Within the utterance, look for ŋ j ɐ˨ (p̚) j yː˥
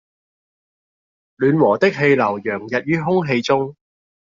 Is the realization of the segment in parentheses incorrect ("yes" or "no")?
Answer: yes